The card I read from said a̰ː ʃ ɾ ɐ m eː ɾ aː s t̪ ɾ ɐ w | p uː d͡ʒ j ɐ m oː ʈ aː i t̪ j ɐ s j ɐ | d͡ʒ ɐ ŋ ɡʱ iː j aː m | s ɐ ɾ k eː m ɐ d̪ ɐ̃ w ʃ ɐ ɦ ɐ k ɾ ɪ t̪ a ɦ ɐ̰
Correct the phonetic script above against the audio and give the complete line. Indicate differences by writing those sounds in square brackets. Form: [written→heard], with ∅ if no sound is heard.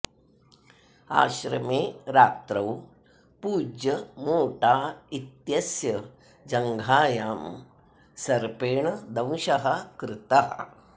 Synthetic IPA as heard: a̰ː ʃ ɾ ɐ m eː ɾ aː [s→∅] t̪ ɾ ɐ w | p uː d͡ʒ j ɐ m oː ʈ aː i t̪ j ɐ s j ɐ | d͡ʒ ɐ ŋ ɡʱ [iː→aː] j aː m | s ɐ ɾ [k→p] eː [m→ɳ] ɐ d̪ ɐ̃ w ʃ ɐ ɦ ɐ k ɾ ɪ t̪ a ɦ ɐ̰